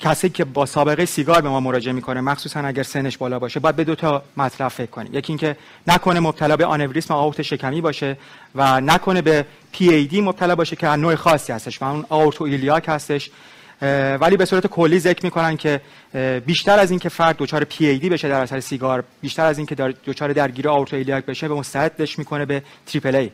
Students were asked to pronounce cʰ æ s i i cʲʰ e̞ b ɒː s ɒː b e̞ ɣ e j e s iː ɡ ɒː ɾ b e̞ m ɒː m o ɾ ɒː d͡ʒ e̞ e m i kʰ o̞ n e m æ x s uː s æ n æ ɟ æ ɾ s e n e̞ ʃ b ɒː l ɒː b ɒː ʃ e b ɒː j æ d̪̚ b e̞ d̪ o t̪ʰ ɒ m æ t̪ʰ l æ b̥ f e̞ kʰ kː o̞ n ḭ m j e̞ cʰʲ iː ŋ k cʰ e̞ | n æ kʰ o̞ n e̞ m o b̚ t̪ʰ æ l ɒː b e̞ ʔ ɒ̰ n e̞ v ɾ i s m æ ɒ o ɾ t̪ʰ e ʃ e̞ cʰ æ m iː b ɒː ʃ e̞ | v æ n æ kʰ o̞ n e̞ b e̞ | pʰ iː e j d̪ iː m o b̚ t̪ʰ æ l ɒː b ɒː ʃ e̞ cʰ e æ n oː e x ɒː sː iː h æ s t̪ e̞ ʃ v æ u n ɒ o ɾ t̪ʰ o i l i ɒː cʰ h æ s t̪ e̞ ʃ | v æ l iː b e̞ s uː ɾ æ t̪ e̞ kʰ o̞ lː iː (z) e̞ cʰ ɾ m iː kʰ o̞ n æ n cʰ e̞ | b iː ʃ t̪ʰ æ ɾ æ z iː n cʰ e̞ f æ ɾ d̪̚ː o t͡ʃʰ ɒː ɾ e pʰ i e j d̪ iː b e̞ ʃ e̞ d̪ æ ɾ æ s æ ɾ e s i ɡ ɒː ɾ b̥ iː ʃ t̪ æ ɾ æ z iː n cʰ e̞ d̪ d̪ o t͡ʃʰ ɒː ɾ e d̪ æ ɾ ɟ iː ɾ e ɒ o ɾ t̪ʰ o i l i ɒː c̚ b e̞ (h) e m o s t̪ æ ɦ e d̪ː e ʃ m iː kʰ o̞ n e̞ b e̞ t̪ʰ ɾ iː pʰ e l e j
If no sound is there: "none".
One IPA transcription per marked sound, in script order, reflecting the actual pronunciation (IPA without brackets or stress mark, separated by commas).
z, ʃ